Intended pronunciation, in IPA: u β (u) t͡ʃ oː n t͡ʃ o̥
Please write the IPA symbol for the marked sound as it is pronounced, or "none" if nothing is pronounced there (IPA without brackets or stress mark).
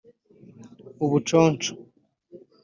u